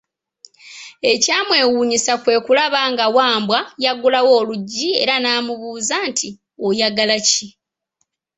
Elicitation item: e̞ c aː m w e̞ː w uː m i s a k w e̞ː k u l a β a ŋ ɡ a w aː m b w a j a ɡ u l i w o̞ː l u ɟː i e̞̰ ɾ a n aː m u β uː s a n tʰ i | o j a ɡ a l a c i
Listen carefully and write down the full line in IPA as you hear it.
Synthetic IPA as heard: e̞ c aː m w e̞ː w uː ɲ i s a k w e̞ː k u l a β a ŋ ɡ a w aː m b w a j a ɡ u l a w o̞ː l u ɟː i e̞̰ ɾ a n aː m u β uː z a n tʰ i | o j a ɡ a l a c i